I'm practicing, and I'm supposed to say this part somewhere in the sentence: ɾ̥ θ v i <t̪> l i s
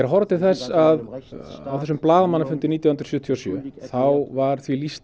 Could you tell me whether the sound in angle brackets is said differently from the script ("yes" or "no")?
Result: yes